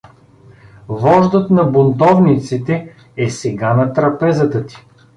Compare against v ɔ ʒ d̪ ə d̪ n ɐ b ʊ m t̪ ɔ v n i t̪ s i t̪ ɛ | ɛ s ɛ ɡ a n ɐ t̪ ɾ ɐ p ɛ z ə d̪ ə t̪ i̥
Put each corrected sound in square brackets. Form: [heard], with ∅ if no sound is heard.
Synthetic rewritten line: v ɔ ʒ d̪ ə [t̪] n ɐ b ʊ [n] t̪ ɔ v n i t̪ s i t̪ ɛ | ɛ s ɛ ɡ a n ɐ t̪ ɾ ɐ p ɛ z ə [t̪] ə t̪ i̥